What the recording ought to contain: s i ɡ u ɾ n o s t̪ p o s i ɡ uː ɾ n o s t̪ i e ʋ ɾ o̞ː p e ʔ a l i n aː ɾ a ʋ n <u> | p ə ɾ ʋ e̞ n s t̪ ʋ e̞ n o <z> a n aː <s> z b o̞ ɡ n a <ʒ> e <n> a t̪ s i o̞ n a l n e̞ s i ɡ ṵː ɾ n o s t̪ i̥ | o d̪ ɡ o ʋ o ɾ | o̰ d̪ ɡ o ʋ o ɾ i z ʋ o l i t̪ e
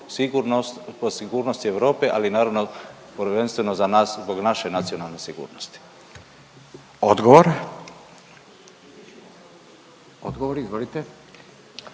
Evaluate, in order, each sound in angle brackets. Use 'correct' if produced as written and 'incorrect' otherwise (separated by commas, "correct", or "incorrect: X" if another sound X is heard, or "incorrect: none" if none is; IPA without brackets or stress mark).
incorrect: o, correct, correct, incorrect: ʃ, correct